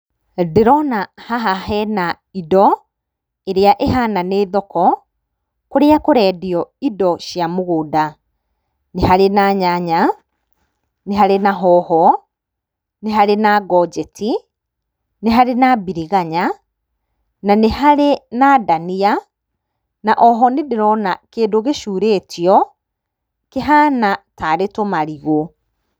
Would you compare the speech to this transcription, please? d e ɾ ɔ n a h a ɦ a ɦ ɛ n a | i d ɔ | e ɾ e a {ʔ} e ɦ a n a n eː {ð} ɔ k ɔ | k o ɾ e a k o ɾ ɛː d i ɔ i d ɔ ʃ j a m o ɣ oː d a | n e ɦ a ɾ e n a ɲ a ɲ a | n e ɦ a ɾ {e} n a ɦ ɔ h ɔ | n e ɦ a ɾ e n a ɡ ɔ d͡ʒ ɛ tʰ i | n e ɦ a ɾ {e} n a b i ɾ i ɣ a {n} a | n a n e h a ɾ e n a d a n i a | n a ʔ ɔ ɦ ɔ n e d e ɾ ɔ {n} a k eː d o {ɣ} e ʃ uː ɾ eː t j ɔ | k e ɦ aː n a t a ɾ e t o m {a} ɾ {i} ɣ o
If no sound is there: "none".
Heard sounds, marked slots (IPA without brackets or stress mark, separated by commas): ʔ, ð, e, e, ɲ, n, ɣ, a, i